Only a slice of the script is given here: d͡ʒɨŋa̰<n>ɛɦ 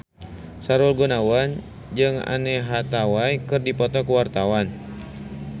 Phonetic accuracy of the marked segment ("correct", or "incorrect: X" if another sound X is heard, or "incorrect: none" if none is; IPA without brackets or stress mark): correct